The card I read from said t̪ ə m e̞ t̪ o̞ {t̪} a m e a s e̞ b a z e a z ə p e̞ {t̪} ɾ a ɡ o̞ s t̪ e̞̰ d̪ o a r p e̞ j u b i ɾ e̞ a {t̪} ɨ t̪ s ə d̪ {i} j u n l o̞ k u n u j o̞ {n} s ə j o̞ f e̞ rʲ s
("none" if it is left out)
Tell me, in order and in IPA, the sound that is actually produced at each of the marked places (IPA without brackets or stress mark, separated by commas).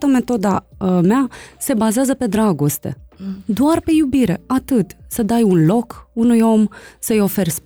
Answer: d̪, d̪, t̪, a, m